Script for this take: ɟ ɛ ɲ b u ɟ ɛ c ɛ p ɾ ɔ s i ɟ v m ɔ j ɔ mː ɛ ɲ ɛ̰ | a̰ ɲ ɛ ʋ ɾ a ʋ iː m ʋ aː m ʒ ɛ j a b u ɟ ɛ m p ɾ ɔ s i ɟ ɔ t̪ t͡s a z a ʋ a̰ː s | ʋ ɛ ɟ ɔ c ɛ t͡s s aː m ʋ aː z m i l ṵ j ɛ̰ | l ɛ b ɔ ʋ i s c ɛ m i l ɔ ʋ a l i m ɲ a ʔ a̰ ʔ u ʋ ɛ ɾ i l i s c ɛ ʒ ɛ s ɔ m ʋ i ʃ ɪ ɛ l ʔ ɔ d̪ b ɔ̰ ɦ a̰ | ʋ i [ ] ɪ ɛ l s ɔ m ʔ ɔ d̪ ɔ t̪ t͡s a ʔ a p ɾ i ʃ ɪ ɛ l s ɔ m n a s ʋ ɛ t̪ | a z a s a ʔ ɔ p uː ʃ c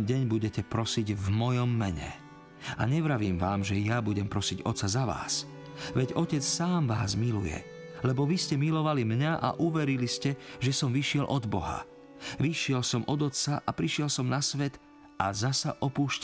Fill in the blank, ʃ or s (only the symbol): ʃ